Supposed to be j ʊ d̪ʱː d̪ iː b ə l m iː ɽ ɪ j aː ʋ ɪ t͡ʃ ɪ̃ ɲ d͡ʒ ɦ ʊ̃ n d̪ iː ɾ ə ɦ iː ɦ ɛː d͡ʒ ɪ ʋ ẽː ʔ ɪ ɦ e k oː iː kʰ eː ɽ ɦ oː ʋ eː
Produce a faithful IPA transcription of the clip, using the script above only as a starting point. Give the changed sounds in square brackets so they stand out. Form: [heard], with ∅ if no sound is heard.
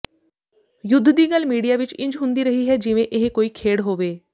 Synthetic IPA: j ʊ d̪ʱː d̪ iː [ɡ] ə l m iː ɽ [i] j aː ʋ ɪ t͡ʃ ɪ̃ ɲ d͡ʒ ɦ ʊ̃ n d̪ iː ɾ ə ɦ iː ɦ ɛː d͡ʒ ɪ ʋ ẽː ʔ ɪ ɦ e k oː iː kʰ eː ɽ ɦ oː ʋ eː